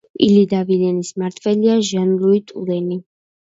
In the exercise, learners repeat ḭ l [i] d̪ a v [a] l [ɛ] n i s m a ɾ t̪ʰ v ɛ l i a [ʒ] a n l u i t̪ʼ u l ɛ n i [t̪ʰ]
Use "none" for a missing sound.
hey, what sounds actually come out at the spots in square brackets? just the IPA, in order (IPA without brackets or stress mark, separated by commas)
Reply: i, i, ɛ, ʒ, none